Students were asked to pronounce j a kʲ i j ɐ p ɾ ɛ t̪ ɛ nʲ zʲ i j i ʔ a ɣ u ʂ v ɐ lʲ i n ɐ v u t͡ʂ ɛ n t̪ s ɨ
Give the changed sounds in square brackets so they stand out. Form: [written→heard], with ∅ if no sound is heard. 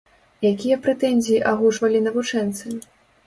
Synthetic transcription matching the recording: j a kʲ i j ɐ p ɾ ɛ t̪ ɛ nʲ zʲ i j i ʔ a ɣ u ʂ v ɐ lʲ i n ɐ v u t͡ʂ ɛ n t̪ s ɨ